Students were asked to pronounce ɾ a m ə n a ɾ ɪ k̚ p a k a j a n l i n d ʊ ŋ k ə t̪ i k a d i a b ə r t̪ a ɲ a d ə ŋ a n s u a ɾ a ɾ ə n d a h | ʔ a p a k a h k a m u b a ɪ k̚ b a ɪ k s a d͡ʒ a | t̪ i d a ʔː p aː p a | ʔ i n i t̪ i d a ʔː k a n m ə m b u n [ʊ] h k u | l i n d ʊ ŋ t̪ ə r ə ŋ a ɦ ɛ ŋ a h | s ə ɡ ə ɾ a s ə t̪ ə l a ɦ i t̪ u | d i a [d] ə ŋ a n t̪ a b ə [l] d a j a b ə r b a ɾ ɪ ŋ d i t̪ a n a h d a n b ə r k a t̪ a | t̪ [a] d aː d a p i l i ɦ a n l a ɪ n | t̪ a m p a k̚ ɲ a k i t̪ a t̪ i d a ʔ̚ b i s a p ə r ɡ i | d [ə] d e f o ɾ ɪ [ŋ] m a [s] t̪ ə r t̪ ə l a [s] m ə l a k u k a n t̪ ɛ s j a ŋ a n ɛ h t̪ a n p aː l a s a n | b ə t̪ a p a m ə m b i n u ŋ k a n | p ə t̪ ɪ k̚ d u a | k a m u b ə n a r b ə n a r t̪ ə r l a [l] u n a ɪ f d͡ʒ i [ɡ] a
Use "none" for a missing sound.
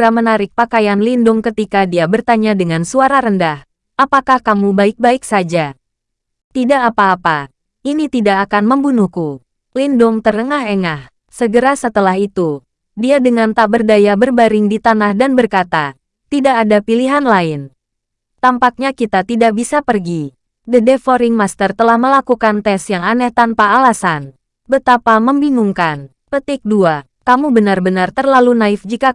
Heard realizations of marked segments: u, d, r, i, ə, ŋ, s, h, l, k

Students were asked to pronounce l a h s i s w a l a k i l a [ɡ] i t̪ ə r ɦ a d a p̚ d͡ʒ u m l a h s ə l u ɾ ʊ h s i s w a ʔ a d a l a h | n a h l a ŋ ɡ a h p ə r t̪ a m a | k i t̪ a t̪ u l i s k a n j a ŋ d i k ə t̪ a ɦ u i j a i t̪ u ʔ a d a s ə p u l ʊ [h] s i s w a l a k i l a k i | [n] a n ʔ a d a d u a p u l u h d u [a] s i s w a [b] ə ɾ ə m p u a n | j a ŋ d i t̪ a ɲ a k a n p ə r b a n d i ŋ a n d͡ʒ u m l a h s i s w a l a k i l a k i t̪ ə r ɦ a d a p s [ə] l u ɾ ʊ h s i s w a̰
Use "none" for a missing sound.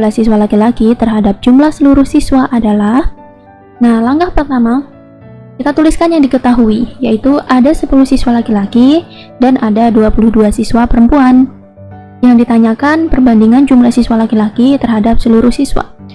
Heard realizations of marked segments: k, h, d, a, p, ə

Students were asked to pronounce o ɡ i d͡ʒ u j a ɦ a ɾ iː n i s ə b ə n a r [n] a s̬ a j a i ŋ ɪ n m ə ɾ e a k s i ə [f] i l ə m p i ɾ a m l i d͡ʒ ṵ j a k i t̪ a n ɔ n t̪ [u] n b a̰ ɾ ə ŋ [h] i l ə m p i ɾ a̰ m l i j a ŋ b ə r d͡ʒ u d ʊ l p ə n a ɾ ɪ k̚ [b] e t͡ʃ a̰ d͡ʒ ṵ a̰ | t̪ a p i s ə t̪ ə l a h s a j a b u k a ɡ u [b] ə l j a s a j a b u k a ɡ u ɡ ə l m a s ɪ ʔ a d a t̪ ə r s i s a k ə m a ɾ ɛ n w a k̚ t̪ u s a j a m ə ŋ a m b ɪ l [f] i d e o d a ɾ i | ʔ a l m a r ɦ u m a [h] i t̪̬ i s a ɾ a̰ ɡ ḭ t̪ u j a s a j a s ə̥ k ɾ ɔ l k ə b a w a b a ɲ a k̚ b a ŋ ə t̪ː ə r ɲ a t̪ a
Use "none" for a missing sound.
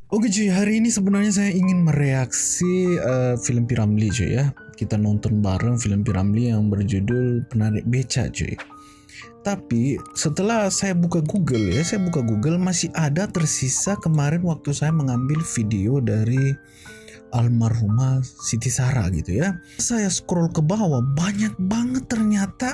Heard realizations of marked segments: ɲ, f, ɔ, f, b, ɡ, f, s

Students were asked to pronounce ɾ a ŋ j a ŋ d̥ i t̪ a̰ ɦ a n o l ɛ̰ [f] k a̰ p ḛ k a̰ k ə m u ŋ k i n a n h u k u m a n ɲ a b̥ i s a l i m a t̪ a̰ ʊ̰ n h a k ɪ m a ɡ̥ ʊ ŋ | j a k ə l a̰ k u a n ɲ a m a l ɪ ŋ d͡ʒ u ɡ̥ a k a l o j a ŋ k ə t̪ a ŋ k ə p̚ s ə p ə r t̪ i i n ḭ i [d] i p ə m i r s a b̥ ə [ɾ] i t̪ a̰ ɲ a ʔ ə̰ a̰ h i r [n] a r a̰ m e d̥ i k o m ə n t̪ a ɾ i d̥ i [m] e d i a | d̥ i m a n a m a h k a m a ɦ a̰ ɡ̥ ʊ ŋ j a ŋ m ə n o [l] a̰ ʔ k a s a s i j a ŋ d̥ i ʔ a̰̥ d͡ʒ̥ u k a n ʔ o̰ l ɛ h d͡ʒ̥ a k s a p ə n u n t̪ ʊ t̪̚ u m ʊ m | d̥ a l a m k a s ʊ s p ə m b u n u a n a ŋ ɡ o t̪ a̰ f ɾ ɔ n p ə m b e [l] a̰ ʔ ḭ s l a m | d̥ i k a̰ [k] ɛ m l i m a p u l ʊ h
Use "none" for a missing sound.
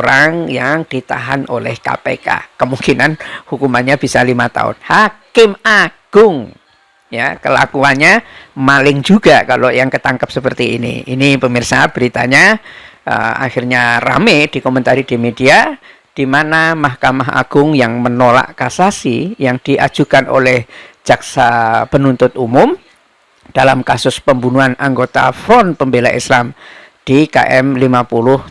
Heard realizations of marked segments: h, n, ɾ, ɲ, m, l, l, ʔ

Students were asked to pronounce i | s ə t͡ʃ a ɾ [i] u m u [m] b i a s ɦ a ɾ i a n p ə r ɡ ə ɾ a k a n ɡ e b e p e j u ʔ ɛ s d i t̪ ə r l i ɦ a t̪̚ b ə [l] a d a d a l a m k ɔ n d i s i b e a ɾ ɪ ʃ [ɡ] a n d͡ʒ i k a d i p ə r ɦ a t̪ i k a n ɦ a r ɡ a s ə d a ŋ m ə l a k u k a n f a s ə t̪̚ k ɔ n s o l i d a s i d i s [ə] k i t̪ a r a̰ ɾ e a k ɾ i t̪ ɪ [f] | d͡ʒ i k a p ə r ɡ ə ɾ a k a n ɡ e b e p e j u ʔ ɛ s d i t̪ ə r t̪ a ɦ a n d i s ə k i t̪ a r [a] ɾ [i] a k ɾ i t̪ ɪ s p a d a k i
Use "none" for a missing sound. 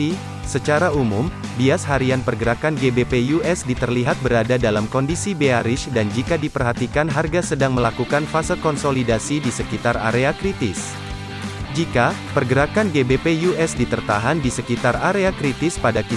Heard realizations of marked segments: a, m, ɾ, d, ə, s, a, e

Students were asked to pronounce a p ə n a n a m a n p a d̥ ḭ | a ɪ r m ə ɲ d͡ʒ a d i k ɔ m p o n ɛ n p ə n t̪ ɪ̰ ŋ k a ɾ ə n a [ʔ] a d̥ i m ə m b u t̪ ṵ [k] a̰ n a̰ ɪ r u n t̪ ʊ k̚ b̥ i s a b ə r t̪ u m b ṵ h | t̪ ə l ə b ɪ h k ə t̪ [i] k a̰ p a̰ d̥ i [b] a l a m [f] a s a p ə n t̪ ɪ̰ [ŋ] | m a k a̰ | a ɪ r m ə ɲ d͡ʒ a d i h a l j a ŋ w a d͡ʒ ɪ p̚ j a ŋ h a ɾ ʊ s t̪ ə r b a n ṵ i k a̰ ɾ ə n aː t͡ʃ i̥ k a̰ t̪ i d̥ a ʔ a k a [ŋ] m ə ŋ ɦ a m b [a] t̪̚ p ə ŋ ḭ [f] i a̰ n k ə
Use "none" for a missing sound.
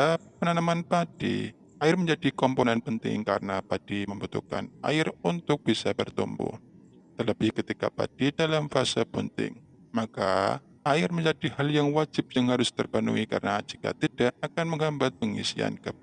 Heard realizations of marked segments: p, k, i, d, f, ŋ, n, a, s

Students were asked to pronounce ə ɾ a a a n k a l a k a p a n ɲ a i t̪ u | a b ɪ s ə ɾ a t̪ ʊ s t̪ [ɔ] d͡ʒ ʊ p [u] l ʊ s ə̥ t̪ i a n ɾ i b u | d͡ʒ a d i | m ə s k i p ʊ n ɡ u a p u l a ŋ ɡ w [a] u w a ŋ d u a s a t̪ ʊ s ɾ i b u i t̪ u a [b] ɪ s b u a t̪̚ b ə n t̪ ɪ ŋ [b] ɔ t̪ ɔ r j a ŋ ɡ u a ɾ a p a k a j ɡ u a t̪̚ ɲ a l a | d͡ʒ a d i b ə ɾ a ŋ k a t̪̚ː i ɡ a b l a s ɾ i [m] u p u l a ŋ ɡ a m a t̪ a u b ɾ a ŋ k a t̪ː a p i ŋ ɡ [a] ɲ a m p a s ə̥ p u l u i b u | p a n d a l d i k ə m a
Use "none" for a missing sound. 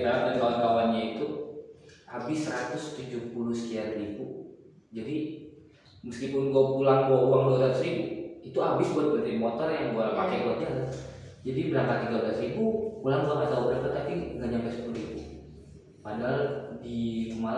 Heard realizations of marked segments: u, u, a, b, m, b, a

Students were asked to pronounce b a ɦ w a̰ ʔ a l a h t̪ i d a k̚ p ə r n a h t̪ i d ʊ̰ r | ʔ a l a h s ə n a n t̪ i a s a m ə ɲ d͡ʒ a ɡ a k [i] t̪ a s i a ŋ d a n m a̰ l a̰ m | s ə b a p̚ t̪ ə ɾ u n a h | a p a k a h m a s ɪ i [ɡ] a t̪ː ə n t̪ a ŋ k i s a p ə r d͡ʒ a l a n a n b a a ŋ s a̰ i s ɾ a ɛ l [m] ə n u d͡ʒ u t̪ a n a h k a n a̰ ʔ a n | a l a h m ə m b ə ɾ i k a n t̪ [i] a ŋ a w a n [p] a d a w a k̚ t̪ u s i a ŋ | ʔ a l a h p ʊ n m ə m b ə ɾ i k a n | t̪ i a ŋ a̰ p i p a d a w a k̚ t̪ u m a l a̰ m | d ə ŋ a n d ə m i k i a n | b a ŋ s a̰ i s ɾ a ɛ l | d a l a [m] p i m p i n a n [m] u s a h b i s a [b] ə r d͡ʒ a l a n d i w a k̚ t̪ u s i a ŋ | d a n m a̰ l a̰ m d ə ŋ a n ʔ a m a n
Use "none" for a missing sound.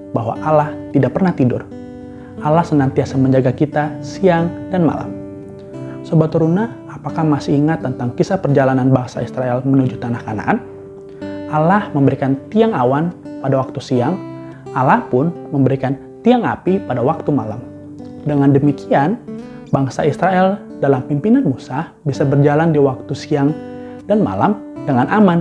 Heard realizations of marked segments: i, ŋ, m, i, p, m, m, b

